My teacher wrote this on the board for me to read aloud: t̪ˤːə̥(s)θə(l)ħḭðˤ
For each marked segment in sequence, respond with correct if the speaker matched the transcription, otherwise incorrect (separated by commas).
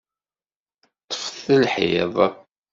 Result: incorrect, correct